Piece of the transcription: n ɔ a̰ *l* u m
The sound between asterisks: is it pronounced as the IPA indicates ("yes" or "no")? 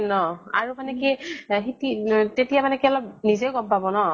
no